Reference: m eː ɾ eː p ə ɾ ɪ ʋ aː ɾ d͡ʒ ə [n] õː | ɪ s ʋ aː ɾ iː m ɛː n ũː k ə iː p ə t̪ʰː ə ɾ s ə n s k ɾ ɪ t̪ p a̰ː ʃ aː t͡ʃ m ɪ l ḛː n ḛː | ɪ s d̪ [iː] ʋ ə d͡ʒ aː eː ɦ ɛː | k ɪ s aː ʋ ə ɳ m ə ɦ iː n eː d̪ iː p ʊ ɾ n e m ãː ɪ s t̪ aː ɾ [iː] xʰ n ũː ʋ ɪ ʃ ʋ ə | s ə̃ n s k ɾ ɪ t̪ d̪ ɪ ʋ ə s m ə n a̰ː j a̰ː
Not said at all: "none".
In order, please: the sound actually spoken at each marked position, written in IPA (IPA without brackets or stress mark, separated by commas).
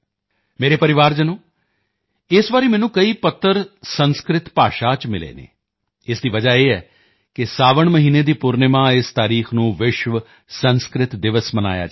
n, iː, iː